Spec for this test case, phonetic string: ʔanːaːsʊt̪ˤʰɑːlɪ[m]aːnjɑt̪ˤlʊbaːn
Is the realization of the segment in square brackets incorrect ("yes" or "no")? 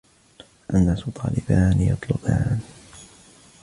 yes